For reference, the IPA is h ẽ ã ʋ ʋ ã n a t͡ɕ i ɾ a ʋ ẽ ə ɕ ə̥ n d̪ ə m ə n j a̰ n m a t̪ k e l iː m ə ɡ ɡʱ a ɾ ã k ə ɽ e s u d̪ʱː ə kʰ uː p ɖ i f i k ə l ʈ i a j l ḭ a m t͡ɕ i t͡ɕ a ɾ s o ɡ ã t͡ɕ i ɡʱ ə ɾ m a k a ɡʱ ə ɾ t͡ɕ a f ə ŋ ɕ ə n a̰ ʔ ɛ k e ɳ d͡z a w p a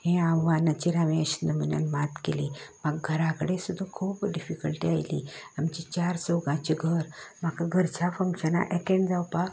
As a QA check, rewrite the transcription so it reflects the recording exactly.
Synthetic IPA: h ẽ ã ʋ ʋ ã n a t͡ɕ i ɾ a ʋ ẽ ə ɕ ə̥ n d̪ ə m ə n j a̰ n m a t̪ k e l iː m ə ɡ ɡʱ ə ɾ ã k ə ɽ e s u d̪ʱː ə kʰ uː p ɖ i f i k ə l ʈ i a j l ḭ a m t͡ɕ i t͡ɕ a ɾ s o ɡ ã t͡ɕ i ɡʱ ə ɾ m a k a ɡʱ ə ɾ t͡ɕ a f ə ŋ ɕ ə n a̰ ʔ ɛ k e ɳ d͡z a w p a